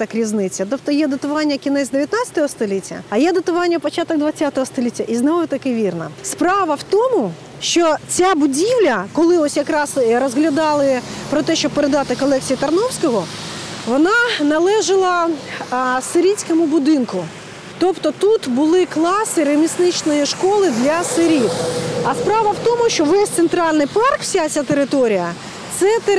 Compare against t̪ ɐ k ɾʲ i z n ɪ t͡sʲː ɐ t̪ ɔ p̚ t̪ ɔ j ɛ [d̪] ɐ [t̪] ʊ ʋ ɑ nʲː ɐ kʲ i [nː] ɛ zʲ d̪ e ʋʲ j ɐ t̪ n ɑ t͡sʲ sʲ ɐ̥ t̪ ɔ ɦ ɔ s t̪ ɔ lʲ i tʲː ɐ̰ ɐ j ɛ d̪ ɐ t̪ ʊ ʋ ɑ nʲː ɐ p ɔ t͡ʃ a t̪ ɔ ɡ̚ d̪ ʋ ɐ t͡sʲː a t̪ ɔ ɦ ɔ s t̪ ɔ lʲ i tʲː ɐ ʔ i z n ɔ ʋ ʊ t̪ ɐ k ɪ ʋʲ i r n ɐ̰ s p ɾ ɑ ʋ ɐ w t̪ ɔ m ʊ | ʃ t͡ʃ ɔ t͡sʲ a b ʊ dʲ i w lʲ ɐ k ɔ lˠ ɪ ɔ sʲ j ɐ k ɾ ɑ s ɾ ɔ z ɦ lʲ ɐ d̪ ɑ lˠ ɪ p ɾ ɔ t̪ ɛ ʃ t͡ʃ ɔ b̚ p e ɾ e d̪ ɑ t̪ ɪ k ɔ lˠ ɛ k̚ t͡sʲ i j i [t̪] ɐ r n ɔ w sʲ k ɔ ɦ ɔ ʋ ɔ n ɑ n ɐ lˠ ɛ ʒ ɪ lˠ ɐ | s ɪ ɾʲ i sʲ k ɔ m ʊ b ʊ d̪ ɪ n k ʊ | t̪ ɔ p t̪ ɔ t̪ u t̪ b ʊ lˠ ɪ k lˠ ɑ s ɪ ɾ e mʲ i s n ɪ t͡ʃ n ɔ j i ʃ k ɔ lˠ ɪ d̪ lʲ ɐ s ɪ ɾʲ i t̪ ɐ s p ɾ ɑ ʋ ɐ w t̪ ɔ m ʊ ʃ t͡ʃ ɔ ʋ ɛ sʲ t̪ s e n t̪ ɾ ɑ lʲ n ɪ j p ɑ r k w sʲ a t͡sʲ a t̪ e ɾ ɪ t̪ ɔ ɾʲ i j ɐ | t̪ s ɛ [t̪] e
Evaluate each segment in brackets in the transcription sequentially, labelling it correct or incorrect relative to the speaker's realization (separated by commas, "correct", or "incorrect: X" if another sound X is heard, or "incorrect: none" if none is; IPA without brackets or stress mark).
correct, correct, incorrect: n, correct, correct